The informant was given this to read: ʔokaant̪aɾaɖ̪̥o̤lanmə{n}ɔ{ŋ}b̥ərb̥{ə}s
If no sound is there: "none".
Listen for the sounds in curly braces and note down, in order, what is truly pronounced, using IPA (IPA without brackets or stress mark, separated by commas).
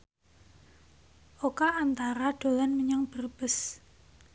ɲ, ŋ, ə